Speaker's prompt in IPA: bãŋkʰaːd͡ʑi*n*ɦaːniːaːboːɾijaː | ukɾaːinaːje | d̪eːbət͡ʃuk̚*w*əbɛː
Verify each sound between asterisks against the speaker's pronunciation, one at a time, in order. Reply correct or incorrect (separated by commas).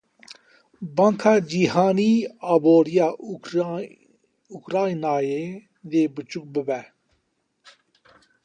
incorrect, incorrect